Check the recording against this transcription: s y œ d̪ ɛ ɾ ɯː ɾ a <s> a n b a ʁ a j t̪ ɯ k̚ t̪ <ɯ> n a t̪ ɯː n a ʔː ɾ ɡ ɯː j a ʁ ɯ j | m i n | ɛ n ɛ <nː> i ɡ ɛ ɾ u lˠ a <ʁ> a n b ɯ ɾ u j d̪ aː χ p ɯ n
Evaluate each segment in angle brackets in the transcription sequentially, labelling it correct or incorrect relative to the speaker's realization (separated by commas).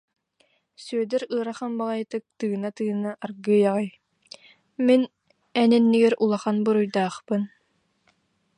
incorrect, incorrect, correct, incorrect